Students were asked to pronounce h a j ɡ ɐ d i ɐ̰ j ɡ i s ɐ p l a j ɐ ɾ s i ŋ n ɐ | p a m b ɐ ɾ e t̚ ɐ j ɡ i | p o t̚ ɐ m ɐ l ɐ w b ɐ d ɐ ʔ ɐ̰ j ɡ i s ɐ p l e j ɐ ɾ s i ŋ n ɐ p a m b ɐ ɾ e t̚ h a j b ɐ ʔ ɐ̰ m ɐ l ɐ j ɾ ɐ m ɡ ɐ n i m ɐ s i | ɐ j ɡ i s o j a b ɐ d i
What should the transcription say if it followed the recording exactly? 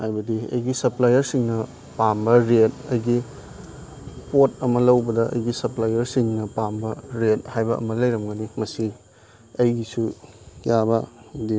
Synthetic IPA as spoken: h a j b ɐ d i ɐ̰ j ɡ i s ɐ p l a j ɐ ɾ s i ŋ n ɐ | p a m b ɐ ɾ e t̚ ɐ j ɡ i | p o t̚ ɐ m ɐ l ɐ w b ɐ d ɐ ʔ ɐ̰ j ɡ i s ɐ p l a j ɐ ɾ s i ŋ n ɐ p a m b ɐ ɾ e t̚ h a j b ɐ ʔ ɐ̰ m ɐ l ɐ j ɾ ɐ m ɡ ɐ n i m ɐ s i | ɐ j ɡ i s u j a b ɐ d i